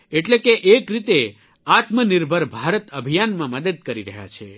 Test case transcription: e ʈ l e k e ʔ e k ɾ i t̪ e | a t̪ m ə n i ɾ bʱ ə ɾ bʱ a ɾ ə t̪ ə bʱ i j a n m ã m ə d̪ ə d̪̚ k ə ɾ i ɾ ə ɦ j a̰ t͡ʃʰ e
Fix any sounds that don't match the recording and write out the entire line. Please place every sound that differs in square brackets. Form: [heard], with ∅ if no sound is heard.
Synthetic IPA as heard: e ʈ l e k e ʔ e k ɾ i t̪ e | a t̪ m ə n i ɾ bʱ ə ɾ bʱ a ɾ ə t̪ ə bʱ i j a n m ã m ə d̪ ə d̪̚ k ə ɾ i ɾ ə ɦ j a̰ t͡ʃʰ e